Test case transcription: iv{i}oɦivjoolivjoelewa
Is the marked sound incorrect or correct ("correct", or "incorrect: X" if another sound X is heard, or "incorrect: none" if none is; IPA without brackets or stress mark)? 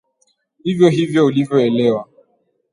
incorrect: j